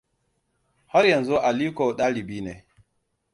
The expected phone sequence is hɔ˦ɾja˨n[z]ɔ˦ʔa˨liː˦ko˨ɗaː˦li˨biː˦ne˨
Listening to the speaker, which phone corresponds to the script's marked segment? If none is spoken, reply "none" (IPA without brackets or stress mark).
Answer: z